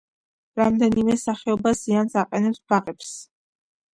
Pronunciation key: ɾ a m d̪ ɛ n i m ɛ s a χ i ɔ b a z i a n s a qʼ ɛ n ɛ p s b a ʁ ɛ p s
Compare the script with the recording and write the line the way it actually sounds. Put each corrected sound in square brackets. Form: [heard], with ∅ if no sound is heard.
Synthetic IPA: ɾ a m d̪ ɛ n i m ɛ s a χ [ɛ] ɔ b a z i a n s a qʼ ɛ n ɛ p s b a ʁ ɛ p s